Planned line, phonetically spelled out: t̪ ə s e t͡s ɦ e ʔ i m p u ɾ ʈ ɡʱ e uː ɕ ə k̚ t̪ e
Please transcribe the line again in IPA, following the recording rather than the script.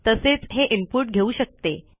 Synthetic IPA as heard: t̪ ə s e t͡s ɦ e ʔ i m p u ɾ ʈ ɡʱ e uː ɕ ə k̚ t̪ e